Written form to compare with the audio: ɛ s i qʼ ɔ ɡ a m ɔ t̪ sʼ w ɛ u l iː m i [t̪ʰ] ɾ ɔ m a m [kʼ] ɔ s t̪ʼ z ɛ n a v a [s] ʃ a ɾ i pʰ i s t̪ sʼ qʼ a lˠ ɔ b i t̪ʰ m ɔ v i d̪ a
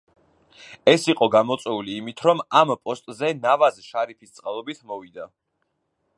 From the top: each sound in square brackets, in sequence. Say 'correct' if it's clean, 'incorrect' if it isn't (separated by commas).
correct, incorrect, incorrect